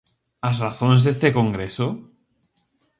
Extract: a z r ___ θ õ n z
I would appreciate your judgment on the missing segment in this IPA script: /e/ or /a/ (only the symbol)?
a